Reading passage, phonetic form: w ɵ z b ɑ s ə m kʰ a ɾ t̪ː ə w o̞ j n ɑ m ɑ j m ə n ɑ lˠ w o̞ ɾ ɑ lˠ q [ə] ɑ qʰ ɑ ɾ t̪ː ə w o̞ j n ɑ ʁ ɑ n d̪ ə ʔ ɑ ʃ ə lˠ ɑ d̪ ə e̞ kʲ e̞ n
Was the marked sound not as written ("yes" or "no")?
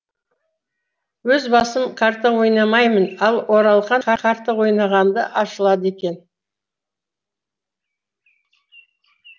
yes